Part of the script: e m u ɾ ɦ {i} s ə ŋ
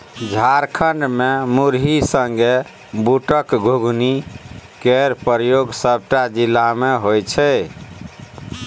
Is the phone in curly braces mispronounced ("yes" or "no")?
no